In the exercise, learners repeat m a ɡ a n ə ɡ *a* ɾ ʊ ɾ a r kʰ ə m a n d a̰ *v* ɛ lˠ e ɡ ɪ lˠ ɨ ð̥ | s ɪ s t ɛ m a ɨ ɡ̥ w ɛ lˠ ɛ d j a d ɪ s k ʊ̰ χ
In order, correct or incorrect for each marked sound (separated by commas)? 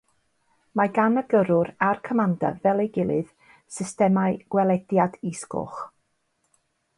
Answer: incorrect, correct